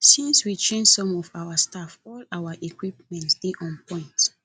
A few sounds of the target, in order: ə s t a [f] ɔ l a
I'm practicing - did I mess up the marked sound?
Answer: no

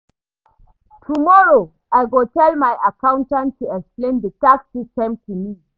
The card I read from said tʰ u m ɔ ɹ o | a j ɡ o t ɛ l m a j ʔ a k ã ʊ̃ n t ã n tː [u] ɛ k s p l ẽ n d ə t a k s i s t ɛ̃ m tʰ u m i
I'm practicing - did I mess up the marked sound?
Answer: no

